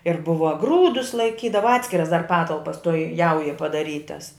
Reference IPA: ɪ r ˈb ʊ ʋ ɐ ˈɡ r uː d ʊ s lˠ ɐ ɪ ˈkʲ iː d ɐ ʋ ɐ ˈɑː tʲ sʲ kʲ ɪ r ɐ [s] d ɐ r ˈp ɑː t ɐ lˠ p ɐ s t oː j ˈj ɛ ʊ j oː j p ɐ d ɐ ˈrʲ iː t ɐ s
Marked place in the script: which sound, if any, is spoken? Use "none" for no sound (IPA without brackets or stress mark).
s